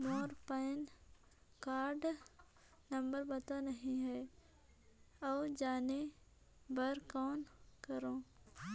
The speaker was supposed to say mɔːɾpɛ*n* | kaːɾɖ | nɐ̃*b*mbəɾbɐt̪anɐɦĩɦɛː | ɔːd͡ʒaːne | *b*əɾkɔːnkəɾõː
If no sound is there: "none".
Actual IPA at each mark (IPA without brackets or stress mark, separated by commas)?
n, none, b